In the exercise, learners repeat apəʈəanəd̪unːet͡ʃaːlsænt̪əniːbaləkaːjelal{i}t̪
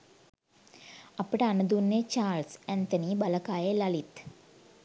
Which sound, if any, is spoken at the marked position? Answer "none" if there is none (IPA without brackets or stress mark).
i